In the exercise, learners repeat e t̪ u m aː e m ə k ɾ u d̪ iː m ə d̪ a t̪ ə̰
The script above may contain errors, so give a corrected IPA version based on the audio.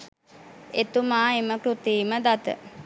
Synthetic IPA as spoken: e t̪ u m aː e m ə k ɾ u t̪ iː m ə d̪ a t̪ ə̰